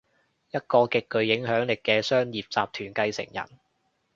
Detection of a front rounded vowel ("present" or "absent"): present